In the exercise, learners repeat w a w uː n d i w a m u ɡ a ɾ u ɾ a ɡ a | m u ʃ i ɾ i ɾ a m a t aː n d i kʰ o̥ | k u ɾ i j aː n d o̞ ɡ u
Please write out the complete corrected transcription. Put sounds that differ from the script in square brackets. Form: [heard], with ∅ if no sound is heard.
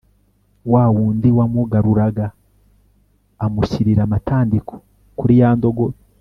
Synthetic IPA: w a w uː n d i w a m u ɡ a ɾ u ɾ a ɡ a | m u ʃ i ɾ i ɾ a m a t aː n d i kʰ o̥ | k u ɾ i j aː n d o̞ ɡ [o]